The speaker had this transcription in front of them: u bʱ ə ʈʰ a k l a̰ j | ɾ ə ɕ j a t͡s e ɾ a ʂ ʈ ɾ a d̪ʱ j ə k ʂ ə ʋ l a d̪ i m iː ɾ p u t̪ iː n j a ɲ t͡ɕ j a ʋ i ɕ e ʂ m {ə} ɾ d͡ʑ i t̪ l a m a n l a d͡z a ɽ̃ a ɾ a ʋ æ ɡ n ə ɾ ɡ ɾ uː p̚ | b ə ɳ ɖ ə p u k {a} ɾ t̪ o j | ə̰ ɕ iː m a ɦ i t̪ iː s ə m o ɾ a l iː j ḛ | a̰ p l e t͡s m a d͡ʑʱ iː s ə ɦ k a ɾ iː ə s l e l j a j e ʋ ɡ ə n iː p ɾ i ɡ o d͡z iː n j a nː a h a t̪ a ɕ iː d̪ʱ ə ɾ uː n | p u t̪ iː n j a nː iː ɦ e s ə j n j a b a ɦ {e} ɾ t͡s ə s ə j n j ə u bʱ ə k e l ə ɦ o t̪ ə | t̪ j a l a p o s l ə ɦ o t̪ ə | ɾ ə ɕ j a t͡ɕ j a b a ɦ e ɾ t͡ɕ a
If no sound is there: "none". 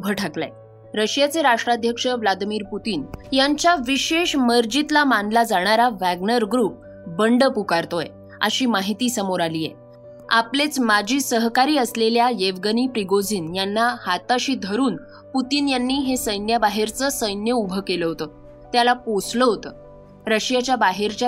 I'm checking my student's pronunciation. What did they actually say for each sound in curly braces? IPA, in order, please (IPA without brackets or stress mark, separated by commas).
ə, a, e